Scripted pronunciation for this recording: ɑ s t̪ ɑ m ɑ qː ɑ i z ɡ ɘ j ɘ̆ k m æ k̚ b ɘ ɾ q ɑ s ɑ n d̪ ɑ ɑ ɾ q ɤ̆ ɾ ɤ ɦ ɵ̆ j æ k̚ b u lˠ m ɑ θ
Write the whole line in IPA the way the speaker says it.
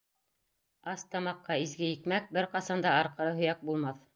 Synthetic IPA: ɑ s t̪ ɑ m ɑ qː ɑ i z ɡ ɘ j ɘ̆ k m æ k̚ b ɘ ɾ q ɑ s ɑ n d̪ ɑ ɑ ɾ q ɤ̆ ɾ ɤ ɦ ɵ̆ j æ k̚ b u lˠ m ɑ θ

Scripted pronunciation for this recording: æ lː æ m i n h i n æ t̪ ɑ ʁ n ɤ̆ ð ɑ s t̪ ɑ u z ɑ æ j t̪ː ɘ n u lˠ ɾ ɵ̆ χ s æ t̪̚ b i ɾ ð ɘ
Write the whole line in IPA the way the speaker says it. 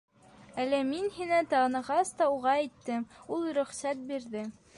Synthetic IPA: æ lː æ m i n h i n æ t̪ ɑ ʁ n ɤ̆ ʁ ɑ s t̪ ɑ u ʁ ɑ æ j t̪ː ɘ m u lˠ ɾ ɵ̆ χ s æ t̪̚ b i ɾ ð ɘ

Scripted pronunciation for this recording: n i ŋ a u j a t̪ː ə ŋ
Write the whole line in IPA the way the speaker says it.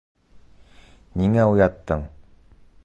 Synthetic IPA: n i ŋ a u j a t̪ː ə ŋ

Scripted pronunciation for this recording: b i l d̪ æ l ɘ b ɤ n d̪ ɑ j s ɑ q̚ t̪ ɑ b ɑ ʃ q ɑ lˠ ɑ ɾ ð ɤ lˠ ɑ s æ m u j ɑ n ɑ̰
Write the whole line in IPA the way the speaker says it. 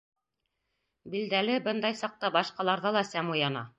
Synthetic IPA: b i l d̪ æ l ɘ b ɤ n d̪ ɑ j s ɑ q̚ t̪ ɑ b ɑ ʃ q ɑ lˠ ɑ ɾ ð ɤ lˠ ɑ s æ m u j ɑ n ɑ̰

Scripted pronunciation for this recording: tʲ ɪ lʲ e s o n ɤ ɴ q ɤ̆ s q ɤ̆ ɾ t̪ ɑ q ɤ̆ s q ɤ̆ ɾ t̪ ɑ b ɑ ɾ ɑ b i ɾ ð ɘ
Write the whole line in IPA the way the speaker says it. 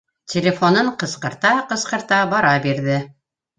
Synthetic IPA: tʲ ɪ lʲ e f o n ɤ ɴ q ɤ̆ s q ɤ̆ ɾ t̪ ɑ q ɤ̆ s q ɤ̆ ɾ t̪ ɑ b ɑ ɾ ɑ b i ɾ ð ɘ

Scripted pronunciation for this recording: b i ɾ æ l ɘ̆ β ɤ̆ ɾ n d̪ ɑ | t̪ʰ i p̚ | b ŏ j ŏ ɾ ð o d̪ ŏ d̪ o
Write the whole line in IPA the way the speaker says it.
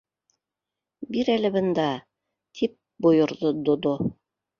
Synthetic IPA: b i ɾ æ l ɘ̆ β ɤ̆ n d̪ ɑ | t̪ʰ i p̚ | b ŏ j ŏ ɾ ð o d̪ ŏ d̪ o

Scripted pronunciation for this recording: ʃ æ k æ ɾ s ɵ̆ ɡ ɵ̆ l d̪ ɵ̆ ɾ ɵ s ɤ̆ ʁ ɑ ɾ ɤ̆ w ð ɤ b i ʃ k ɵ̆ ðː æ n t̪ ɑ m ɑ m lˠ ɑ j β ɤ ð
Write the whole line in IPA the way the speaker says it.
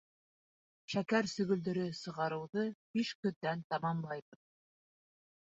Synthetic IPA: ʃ æ k æ ɾ s ɵ̆ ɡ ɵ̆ l d̪ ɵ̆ ɾ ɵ s ɤ̆ ʁ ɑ ɾ ɤ̆ w ð ɤ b i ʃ k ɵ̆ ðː æ n t̪ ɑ m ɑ m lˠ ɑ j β ɤ ð

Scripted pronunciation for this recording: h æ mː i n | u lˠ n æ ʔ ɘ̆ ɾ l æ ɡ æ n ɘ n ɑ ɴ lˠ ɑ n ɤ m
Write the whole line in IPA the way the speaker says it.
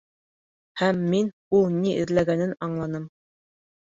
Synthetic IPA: h æ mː i n | u lˠ n i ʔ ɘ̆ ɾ l æ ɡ æ n ɘ n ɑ ɴ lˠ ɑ n ɤ m

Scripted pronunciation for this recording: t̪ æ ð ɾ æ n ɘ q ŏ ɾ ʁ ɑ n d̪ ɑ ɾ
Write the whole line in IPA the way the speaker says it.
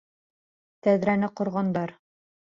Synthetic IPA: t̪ æ ð ɾ æ n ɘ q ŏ ɾ ʁ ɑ n d̪ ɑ ɾ

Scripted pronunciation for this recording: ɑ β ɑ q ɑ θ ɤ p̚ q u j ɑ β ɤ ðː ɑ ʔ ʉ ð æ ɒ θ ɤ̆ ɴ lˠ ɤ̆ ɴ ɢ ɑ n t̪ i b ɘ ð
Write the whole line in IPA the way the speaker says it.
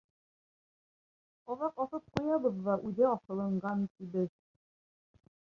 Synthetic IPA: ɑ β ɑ q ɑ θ ɤ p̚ q u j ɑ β ɤ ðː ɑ ʔ ʉ ð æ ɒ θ ɤ̆ lˠ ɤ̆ ɴ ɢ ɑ n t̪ i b ɘ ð

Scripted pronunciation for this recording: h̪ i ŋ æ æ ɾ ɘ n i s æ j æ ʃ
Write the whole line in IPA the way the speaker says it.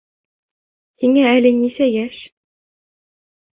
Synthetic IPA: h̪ i ŋ æ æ l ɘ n i s æ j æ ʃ

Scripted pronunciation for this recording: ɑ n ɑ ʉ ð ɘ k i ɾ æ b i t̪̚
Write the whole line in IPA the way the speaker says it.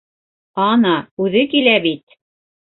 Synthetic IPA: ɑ n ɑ ʉ ð ɘ k i l æ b i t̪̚

